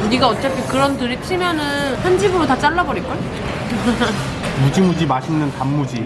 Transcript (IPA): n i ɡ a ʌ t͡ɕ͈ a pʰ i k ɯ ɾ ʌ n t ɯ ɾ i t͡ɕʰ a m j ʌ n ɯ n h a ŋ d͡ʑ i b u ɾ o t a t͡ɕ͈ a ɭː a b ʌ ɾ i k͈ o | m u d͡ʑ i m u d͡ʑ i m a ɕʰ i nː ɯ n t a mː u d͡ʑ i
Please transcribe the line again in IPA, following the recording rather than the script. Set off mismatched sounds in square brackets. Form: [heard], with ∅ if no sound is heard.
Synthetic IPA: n i ɡ a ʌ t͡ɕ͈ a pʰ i k ɯ ɾ ʌ n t ɯ ɾ i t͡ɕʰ [i] m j ʌ n ɯ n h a [n] d͡ʑ i b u ɾ o t a t͡ɕ͈ a ɭː a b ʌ ɾ i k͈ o | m u d͡ʑ i m u d͡ʑ i m a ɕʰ i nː ɯ n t a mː u d͡ʑ i

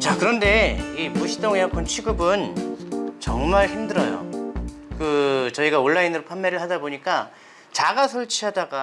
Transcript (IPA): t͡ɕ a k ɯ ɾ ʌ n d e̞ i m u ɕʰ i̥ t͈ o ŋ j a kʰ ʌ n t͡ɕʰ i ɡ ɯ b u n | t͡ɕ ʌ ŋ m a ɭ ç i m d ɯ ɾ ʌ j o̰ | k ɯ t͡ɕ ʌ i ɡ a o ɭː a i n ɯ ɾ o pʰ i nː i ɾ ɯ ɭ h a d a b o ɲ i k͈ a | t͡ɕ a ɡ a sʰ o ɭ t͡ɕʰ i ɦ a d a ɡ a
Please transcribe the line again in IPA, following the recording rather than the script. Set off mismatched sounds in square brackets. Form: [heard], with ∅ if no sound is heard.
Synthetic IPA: t͡ɕ a k ɯ ɾ ʌ n d e̞ i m u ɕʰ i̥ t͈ o ŋ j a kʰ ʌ n t͡ɕʰ i ɡ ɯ b [ɯ] n | t͡ɕ ʌ ŋ m a ɭ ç i m d ɯ ɾ ʌ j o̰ | k ɯ t͡ɕ ʌ i ɡ a o ɭː a i n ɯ ɾ o pʰ [a] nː [e] ɾ ɯ ɭ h a d a b o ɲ i k͈ a | t͡ɕ a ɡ a sʰ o ɭ t͡ɕʰ i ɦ a d a ɡ a

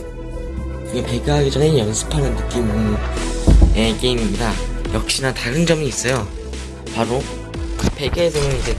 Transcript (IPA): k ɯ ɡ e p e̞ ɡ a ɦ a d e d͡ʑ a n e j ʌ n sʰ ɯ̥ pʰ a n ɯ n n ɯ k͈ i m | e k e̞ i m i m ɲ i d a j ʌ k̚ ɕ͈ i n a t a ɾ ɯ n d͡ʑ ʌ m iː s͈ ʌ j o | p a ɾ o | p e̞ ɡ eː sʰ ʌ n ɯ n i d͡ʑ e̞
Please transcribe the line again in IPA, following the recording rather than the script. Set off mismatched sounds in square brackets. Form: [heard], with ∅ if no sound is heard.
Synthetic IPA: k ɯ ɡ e p e̞ ɡ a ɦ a [ɡ] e d͡ʑ [ʌ] n e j ʌ n sʰ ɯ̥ pʰ a n ɯ n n ɯ k͈ i m | e k e̞ i m i m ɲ i d a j ʌ k̚ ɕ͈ i n a t a ɾ ɯ n d͡ʑ ʌ m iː s͈ ʌ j o | p a ɾ o | p e̞ ɡ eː sʰ ʌ n ɯ n i d͡ʑ e̞

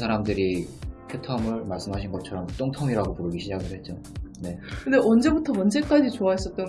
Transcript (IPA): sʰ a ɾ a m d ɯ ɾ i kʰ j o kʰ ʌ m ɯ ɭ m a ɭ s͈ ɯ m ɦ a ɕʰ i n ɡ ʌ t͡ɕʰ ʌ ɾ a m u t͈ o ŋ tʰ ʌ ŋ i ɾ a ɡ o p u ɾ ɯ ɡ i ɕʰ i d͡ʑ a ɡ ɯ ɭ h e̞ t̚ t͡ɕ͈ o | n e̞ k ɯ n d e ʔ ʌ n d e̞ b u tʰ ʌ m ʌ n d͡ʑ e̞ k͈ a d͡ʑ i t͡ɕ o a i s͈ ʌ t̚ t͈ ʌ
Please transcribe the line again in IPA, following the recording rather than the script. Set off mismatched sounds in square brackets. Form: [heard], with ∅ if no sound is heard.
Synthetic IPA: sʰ a ɾ a m d ɯ ɾ i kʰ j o [tʰ] ʌ m ɯ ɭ m a ɭ s͈ ɯ m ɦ a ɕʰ i n ɡ ʌ t͡ɕʰ ʌ ɾ [ʌ] m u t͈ o ŋ tʰ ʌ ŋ i ɾ a ɡ o p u ɾ ɯ ɡ i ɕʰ i d͡ʑ a ɡ ɯ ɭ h e̞ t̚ t͡ɕ͈ o | n e̞ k ɯ n d e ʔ ʌ n [d͡ʑ] e̞ b u tʰ ʌ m ʌ n d͡ʑ e̞ k͈ a d͡ʑ i t͡ɕ o a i s͈ ʌ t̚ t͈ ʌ

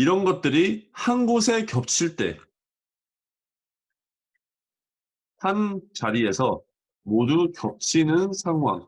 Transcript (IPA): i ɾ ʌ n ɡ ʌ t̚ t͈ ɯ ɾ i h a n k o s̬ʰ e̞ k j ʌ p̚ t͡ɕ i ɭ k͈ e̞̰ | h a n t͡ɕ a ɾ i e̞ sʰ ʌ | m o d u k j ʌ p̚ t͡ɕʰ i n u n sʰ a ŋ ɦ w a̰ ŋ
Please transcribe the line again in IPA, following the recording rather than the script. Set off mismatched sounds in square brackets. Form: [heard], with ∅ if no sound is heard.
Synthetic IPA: i ɾ ʌ n ɡ ʌ t̚ t͈ ɯ ɾ i h a n [ɡ] o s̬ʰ e̞ k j ʌ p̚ [t͡ɕʰ] i ɭ [t͈] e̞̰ | h a n t͡ɕ a ɾ i e̞ sʰ ʌ | m o d u k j ʌ p̚ t͡ɕʰ i n [ɯ] n sʰ a ŋ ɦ w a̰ ŋ

